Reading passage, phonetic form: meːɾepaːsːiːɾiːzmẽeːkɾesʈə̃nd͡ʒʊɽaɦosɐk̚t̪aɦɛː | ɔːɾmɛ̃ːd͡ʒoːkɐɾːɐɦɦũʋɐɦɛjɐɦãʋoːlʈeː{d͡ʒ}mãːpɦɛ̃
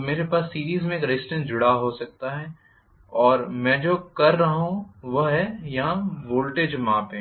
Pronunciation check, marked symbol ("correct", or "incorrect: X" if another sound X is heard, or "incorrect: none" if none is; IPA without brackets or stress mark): correct